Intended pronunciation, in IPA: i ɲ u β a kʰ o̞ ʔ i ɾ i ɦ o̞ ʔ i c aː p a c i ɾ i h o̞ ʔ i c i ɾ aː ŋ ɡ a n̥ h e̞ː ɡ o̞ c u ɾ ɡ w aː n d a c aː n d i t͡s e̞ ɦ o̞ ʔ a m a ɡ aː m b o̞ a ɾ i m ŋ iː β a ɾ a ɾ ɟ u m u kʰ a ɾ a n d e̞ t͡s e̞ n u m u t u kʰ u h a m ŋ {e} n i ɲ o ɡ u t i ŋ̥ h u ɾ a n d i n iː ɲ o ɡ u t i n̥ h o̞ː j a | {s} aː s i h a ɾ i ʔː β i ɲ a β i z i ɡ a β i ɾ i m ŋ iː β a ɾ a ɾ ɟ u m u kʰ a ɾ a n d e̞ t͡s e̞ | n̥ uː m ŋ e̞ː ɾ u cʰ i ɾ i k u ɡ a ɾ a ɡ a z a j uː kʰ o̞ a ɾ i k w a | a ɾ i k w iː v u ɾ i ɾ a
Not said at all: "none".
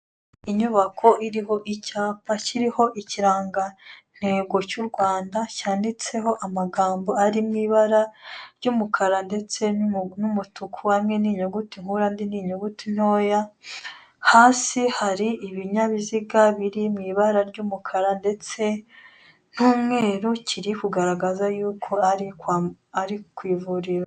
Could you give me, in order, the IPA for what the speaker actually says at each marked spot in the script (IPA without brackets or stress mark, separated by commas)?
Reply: e, h